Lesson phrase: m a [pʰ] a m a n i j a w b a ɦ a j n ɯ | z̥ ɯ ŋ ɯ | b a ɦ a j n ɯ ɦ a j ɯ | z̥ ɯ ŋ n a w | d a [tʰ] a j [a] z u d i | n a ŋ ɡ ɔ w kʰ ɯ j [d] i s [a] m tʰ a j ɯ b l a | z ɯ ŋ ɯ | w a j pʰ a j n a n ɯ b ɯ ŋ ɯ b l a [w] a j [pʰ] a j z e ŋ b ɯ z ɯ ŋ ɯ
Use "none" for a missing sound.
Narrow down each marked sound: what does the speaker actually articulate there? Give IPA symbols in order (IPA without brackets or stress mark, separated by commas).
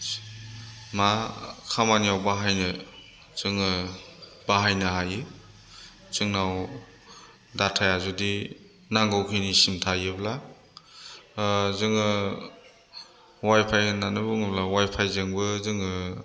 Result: kʰ, tʰ, a, n, i, w, pʰ